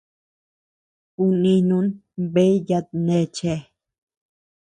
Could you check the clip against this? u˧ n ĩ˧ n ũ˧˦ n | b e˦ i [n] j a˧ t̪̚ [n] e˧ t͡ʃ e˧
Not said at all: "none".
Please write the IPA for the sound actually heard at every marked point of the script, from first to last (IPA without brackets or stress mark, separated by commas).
none, n